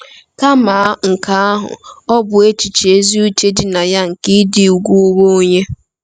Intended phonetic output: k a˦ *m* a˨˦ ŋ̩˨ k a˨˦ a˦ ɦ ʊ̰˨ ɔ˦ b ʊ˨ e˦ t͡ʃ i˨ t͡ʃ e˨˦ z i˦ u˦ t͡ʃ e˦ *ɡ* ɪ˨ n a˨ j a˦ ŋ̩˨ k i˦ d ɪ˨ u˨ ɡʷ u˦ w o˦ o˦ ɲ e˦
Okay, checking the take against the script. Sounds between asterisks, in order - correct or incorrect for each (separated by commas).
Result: correct, incorrect